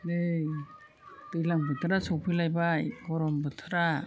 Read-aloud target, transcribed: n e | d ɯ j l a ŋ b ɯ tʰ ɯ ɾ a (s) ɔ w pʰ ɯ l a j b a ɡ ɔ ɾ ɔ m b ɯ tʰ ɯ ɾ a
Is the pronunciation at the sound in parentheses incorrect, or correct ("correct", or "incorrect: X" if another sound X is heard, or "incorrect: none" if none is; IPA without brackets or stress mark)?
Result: correct